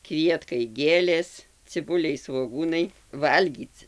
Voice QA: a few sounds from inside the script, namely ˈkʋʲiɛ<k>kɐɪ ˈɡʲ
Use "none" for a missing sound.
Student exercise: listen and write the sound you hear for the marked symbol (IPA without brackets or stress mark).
t